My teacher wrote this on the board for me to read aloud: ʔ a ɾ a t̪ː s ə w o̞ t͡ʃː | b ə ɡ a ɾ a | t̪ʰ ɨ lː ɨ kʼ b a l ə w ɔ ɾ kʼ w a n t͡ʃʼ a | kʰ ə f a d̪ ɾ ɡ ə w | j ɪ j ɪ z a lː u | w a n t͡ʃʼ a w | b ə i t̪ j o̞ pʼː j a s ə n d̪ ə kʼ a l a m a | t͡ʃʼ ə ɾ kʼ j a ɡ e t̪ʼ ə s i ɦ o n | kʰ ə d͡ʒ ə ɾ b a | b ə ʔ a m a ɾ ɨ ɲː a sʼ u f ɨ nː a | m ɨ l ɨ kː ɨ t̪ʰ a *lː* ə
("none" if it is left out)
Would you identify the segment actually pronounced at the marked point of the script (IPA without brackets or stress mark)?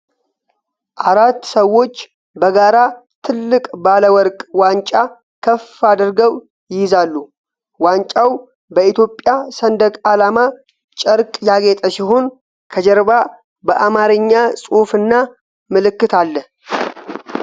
lː